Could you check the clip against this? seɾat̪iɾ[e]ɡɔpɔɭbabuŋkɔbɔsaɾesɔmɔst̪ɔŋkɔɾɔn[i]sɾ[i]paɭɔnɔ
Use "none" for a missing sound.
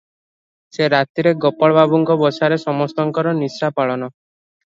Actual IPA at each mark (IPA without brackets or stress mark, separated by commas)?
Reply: e, i, a